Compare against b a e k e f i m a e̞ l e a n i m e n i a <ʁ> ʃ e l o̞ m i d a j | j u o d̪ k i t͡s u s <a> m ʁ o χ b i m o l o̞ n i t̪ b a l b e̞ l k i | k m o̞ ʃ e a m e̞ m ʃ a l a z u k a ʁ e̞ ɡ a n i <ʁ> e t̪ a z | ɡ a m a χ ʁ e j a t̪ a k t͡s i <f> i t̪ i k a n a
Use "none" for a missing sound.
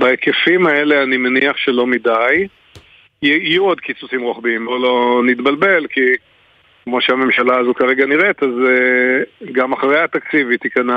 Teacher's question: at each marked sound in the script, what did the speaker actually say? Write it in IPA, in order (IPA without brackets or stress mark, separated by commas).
χ, i, ʁ, v